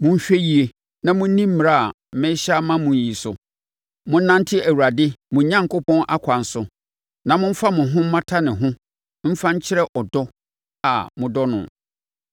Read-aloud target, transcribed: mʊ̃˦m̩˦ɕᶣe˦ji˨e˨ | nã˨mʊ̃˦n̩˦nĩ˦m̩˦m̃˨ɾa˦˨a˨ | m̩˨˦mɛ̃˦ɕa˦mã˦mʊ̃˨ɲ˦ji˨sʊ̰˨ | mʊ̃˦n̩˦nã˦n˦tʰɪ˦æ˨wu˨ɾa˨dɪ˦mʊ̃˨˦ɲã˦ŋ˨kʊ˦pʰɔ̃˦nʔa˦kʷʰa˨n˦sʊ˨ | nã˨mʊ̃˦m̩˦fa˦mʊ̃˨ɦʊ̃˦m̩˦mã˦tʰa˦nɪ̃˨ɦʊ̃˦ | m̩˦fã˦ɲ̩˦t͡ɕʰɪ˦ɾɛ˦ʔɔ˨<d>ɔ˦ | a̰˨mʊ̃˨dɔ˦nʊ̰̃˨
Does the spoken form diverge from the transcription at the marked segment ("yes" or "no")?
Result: no